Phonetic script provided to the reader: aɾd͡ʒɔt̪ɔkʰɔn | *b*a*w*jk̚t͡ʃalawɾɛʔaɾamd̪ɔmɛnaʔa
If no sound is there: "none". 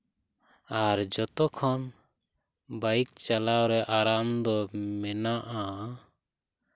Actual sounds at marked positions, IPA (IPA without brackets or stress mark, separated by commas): b, none